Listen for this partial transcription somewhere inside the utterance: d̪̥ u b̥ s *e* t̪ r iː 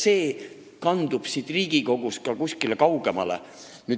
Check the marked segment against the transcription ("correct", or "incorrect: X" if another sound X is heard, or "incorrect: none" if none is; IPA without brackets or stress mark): incorrect: i